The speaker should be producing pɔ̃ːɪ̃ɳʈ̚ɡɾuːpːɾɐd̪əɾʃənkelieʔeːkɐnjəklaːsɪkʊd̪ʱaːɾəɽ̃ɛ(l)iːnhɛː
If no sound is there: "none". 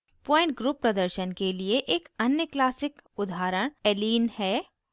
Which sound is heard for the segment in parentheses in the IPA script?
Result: l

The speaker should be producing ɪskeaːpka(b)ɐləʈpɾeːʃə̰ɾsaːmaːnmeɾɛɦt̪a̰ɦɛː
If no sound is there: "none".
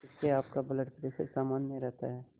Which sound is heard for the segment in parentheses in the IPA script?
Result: b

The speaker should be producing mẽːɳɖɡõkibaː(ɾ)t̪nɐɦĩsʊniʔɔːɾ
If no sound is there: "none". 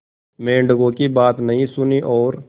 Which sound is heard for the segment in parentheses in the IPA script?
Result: none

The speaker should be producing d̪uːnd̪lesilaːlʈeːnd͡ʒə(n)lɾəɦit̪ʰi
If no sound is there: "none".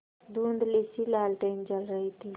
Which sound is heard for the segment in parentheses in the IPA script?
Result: none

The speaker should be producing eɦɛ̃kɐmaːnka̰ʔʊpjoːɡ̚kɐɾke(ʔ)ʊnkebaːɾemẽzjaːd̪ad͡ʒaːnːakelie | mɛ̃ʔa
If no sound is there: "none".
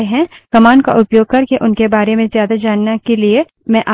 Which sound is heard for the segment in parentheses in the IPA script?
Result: ʔ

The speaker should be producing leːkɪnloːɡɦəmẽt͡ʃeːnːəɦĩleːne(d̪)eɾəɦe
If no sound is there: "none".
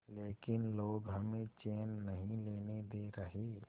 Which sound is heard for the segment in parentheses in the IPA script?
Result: d̪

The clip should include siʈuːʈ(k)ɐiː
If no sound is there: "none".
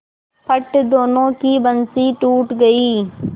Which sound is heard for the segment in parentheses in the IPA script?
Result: ɡ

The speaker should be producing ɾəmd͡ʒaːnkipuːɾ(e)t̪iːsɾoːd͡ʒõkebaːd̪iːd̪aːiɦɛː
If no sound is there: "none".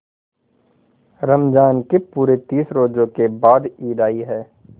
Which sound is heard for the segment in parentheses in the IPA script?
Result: e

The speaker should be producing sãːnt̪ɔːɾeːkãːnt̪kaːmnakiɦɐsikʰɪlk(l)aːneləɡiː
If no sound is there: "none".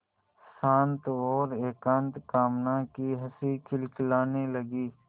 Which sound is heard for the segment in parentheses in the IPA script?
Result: l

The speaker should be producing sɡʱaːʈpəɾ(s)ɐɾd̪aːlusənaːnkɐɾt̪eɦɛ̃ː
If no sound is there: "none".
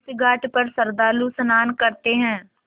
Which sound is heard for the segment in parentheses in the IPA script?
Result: s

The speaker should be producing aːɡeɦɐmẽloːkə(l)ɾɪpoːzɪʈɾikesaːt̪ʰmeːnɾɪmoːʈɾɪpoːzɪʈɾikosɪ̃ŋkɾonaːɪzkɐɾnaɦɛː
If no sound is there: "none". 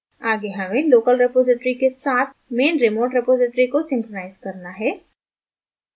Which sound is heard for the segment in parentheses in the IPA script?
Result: l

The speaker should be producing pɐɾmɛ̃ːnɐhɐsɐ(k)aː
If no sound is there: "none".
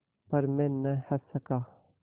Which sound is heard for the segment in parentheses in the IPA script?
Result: k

